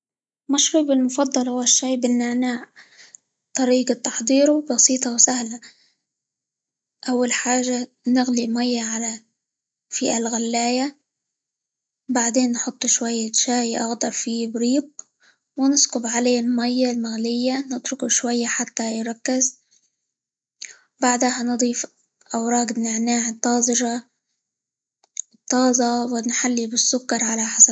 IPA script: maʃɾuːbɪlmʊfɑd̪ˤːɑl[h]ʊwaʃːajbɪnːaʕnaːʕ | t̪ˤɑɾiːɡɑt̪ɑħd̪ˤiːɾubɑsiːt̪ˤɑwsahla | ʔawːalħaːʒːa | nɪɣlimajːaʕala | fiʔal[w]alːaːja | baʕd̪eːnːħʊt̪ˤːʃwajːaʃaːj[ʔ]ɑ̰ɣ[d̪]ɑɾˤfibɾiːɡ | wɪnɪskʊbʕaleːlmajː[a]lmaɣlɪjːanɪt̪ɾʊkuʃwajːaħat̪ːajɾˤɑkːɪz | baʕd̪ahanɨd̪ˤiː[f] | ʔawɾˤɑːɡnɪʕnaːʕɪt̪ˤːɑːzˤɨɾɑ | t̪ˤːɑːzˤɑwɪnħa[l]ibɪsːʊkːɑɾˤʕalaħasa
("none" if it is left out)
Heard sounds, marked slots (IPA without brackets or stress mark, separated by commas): h, ɣ, ʔ, d̪, a, f, lː